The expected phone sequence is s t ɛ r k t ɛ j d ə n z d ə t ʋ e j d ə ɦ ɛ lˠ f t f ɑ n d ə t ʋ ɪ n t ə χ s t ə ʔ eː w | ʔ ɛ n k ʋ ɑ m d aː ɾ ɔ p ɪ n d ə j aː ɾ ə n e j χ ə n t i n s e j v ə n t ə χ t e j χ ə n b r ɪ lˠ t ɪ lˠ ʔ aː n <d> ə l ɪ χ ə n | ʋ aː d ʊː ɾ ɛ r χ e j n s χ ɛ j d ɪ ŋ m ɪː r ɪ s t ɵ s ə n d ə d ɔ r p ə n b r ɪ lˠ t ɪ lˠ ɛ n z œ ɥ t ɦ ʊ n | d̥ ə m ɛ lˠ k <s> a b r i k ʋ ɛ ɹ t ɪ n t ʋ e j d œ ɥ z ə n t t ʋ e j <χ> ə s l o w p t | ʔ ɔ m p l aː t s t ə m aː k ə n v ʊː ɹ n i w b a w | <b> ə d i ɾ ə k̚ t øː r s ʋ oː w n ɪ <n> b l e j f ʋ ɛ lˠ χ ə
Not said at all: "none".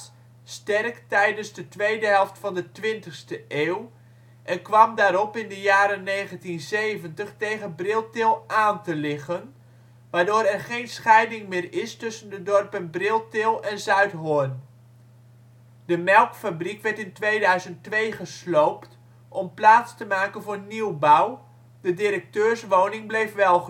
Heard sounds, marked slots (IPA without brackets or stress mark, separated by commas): t, f, χ, d, ŋ